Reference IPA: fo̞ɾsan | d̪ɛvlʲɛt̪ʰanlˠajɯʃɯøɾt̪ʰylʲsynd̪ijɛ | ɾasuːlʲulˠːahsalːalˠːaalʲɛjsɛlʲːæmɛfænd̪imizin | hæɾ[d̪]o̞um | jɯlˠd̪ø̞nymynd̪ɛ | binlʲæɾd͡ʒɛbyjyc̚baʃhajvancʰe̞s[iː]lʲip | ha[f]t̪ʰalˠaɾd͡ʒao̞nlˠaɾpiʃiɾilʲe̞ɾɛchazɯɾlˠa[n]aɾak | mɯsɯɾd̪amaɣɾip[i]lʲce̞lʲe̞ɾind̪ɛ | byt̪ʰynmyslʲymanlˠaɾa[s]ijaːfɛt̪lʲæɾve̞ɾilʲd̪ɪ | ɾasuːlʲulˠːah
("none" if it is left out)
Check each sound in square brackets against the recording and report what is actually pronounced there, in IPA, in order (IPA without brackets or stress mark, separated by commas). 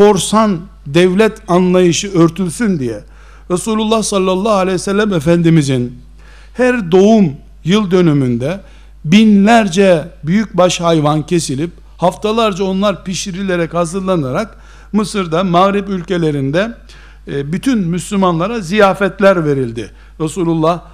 d̪, i, f, n, y, z